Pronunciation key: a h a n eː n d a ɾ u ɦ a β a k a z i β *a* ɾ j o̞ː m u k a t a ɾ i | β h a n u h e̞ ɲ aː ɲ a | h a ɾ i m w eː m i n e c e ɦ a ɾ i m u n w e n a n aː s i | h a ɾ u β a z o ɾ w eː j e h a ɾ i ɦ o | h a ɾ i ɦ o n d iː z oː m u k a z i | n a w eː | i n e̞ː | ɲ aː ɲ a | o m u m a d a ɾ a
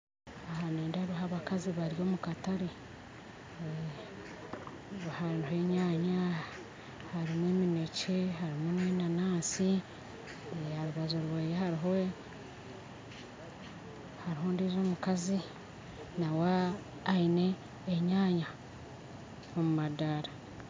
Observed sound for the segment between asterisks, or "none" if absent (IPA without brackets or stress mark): a